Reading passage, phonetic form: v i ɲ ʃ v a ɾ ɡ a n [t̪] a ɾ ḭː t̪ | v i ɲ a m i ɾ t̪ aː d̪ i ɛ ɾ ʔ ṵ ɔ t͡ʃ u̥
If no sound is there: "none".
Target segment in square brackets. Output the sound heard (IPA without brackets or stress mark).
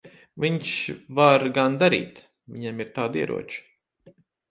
d̪